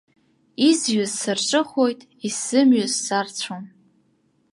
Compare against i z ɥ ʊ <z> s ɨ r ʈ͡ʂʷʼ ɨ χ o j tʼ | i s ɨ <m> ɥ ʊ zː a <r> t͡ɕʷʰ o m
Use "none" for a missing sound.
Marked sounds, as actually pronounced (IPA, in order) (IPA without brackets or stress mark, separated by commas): z, m, r